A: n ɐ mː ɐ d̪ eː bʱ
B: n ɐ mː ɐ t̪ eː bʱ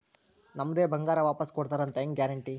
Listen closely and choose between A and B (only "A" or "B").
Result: A